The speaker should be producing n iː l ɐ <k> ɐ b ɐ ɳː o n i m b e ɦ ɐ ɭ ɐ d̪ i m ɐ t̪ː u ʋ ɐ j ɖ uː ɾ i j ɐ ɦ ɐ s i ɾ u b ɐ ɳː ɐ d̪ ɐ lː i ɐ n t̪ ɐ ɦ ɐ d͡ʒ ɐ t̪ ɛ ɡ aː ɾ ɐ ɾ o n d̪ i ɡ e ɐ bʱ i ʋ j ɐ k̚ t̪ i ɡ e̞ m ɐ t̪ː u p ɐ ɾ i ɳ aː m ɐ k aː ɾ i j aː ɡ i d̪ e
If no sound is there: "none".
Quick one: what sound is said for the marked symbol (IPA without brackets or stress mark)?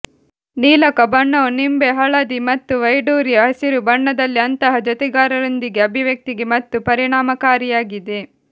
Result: k